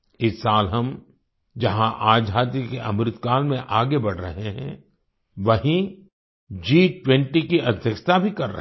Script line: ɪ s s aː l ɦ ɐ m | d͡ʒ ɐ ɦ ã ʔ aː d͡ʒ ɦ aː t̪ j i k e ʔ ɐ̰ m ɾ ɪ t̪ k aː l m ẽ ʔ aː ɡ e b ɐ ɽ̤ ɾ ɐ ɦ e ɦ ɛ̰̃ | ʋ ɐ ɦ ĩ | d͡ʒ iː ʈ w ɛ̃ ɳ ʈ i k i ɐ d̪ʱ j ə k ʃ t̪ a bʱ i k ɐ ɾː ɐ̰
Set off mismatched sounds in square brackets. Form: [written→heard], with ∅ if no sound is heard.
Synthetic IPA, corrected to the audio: ɪ s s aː l ɦ ɐ m | d͡ʒ ɐ ɦ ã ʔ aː d͡ʒ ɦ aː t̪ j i k e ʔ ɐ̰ m ɾ ɪ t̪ k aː l m ẽ ʔ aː ɡ e b ɐ ɽ̤ ɾ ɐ ɦ e ɦ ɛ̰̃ | ʋ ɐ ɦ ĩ | d͡ʒ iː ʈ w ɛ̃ ɳ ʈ i k i ɐ d̪ʱ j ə k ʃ t̪ a bʱ i k ɐ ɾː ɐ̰